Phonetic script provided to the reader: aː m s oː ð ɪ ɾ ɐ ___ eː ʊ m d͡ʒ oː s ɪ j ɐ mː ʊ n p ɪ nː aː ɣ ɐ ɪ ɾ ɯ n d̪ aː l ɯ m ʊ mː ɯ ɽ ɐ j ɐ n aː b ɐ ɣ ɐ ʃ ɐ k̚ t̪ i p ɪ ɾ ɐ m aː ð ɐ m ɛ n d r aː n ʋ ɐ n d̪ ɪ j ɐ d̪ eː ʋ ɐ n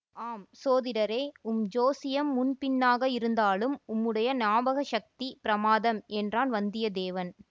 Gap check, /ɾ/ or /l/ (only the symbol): ɾ